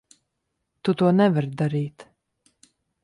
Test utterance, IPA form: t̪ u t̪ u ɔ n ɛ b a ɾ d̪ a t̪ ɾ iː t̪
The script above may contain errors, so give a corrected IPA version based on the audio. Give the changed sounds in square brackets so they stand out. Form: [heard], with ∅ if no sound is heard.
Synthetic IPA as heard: t̪ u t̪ u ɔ n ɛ [v] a ɾ d̪ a [∅] ɾ iː t̪